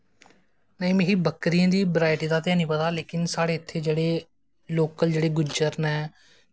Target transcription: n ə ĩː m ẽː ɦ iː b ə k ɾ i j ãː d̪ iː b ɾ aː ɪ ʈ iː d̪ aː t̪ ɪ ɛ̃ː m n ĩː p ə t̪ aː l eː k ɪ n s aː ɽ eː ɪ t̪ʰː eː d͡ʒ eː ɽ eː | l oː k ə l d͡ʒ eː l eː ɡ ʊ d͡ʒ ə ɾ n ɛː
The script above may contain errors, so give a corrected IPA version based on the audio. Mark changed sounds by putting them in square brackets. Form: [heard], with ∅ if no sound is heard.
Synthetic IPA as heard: n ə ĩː m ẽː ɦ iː b ə k ɾ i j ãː d̪ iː b ɾ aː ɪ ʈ iː d̪ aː t̪ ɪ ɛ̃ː [∅] n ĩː p ə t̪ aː l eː k ɪ n s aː ɽ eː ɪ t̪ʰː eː d͡ʒ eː ɽ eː | l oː k ə l d͡ʒ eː [ɽ] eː ɡ ʊ d͡ʒ ə ɾ n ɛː

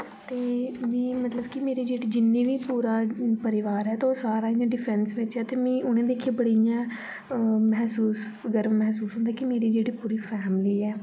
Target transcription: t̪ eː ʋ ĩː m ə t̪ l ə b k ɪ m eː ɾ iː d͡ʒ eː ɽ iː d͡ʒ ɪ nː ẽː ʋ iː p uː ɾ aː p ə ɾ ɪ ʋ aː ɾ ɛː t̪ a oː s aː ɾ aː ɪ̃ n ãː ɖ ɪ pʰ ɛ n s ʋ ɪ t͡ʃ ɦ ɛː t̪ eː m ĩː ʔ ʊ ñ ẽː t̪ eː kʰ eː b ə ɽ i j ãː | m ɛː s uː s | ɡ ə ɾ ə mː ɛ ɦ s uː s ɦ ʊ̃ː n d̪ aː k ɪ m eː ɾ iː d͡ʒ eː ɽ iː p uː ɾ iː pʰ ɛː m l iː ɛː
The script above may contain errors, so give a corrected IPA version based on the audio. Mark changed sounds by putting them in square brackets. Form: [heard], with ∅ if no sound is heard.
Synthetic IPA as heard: t̪ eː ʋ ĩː m ə t̪ l ə b k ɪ m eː ɾ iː d͡ʒ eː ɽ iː d͡ʒ ɪ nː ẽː ʋ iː p uː ɾ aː p ə ɾ ɪ ʋ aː ɾ ɛː t̪ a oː s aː ɾ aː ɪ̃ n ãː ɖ ɪ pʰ ɛ n s ʋ ɪ t͡ʃ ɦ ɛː t̪ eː m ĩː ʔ ʊ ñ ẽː [d̪] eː kʰ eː b ə ɽ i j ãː | m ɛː s uː s | ɡ ə ɾ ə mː ɛ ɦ s uː s ɦ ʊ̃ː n d̪ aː k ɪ m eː ɾ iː d͡ʒ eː ɽ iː p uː ɾ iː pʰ ɛː m l iː ɛː

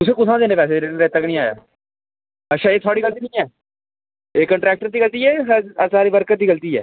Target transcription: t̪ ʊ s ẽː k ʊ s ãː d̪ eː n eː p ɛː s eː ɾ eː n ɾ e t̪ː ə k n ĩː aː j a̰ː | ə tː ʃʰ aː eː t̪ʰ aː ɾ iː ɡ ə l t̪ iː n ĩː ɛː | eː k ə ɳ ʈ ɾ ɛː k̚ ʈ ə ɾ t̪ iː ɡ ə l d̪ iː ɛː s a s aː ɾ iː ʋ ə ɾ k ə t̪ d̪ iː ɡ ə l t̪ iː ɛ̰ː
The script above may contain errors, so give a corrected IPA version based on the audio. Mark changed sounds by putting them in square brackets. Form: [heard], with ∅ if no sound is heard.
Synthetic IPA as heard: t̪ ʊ s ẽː k ʊ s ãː d̪ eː n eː p ɛː s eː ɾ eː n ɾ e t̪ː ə k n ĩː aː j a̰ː | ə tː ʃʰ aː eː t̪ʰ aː [ɽ] iː ɡ ə l t̪ iː n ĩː ɛː | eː k ə ɳ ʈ ɾ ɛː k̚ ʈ ə ɾ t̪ iː ɡ ə l [t̪] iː ɛː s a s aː ɾ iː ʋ ə ɾ k ə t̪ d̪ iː ɡ ə l t̪ iː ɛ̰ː

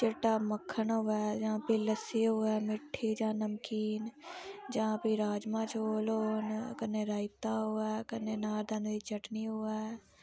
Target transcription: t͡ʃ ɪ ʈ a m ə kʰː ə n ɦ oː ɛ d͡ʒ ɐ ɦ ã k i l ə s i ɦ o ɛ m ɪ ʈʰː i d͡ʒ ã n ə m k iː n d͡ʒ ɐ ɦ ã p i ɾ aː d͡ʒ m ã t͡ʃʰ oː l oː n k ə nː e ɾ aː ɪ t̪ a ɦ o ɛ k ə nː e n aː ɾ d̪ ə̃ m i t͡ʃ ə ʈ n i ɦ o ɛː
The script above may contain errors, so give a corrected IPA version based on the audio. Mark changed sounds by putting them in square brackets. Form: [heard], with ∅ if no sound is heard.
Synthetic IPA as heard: t͡ʃ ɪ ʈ a m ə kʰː ə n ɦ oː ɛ d͡ʒ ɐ ɦ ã [p] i l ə s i ɦ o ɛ m ɪ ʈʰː i d͡ʒ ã n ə m k iː n d͡ʒ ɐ ɦ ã p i ɾ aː d͡ʒ m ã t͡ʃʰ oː l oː n k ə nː e ɾ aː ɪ t̪ a ɦ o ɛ k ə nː e n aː ɾ d̪ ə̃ [n] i t͡ʃ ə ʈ n i ɦ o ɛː

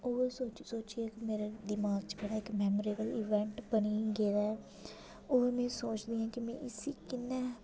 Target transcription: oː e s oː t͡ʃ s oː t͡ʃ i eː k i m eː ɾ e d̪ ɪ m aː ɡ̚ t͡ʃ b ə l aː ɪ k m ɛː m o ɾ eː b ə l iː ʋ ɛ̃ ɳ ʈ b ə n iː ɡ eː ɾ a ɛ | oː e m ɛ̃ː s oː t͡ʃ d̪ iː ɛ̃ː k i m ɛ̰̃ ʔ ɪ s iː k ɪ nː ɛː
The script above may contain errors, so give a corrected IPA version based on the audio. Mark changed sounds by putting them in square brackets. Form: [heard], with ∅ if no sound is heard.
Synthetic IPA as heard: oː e s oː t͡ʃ s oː t͡ʃ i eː k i m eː ɾ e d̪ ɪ m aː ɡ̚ t͡ʃ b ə [ɽ] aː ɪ k m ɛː m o ɾ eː b ə l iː ʋ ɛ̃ ɳ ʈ b ə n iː ɡ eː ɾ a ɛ | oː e m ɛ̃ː s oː t͡ʃ d̪ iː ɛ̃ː k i m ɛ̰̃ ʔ ɪ s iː k ɪ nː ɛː

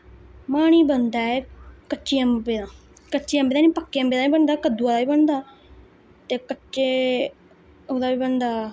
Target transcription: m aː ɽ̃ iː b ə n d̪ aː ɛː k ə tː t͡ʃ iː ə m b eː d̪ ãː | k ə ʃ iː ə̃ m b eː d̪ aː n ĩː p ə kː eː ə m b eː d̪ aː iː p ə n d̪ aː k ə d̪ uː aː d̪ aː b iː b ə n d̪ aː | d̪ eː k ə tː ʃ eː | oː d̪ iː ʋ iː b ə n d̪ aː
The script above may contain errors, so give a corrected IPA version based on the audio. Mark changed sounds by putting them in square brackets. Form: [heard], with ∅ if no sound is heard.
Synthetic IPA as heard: m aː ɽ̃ iː b ə n d̪ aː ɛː k ə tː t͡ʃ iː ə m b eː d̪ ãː | k ə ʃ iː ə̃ m b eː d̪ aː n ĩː p ə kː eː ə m b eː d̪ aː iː [b] ə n d̪ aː k ə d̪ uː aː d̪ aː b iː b ə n d̪ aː | [t̪] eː k ə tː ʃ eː | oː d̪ [aː] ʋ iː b ə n d̪ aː

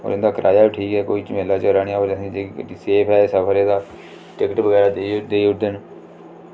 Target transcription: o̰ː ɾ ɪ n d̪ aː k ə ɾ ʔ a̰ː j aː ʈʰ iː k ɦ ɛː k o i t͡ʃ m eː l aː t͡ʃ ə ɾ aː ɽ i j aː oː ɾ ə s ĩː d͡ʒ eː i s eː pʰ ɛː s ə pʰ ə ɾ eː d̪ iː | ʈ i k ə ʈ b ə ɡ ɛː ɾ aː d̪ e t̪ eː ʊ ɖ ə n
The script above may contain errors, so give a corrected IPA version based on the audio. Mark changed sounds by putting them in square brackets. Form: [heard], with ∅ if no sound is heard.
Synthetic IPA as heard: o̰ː ɾ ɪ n d̪ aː k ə ɾ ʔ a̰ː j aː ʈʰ iː k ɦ ɛː k o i t͡ʃ m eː l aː t͡ʃ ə ɾ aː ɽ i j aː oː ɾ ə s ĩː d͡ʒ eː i s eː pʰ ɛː s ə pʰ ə ɾ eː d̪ [aː] | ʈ [ɪ] k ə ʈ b ə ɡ ɛː ɾ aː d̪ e [d̪] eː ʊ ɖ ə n

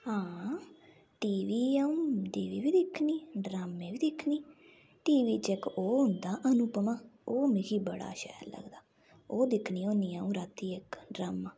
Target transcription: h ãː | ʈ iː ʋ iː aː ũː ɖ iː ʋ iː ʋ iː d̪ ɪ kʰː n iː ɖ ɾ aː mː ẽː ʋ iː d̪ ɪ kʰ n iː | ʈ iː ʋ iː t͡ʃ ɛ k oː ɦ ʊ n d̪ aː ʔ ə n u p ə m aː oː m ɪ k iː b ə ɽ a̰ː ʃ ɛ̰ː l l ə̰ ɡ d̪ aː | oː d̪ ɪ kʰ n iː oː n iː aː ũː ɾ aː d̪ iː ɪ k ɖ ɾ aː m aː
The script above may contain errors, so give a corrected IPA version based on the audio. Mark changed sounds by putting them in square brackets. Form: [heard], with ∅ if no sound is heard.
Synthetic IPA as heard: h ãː | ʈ iː ʋ iː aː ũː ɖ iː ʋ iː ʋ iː d̪ ɪ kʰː n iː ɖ ɾ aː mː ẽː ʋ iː d̪ ɪ kʰ n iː | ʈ iː ʋ iː t͡ʃ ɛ k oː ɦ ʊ n d̪ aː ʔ ə n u p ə m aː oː m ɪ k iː b ə ɽ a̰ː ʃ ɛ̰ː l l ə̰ ɡ d̪ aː | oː d̪ ɪ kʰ n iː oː n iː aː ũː ɾ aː [t̪] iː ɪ k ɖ ɾ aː m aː

